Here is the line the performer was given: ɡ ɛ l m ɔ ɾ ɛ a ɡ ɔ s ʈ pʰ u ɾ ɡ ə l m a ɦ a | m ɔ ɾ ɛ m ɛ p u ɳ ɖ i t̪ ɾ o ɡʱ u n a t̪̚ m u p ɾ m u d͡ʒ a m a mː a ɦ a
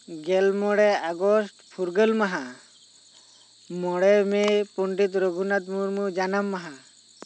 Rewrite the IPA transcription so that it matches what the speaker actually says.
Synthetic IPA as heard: ɡ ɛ l m ɔ ɽ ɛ a ɡ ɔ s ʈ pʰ u ɾ ɡ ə l m a ɦ a | m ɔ ɽ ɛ m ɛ p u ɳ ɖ i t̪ ɾ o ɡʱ u n a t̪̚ m u ɾ m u d͡ʒ a n a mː a ɦ a